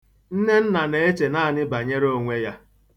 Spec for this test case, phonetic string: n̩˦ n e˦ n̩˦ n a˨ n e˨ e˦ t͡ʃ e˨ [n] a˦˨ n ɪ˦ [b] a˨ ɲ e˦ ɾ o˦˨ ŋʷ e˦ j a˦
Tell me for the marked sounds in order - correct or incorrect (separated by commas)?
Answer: correct, correct